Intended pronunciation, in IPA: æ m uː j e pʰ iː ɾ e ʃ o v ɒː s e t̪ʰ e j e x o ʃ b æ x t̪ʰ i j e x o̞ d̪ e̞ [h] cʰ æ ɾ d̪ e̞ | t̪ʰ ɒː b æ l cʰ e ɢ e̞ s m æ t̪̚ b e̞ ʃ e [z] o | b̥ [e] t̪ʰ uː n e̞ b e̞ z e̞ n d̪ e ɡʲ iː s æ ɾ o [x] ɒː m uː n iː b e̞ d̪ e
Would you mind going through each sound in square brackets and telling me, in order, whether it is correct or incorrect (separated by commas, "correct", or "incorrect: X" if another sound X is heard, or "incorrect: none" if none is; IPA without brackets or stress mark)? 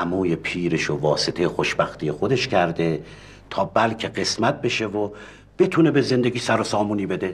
incorrect: ʃ, incorrect: v, correct, incorrect: s